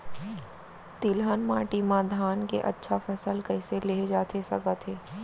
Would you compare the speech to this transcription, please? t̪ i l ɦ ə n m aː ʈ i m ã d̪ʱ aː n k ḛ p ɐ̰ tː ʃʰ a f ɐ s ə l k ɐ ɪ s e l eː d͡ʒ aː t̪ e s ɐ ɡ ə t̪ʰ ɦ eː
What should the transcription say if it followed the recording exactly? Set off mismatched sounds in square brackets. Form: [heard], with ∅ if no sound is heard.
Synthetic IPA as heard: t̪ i l ɦ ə n m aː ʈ i m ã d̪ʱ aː n k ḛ [ʔ] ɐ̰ tː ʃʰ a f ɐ s ə l k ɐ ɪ s e l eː d͡ʒ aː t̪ e s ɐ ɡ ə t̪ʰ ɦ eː